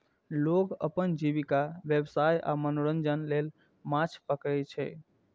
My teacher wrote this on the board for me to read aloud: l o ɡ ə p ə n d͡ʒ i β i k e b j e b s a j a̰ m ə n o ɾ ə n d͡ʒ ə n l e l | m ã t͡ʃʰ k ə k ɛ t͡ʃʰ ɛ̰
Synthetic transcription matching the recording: l o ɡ ə p ə n d͡ʒ i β i k a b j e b s a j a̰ m ə n o ɾ ə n d͡ʒ ə n l e l | m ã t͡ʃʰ p ə k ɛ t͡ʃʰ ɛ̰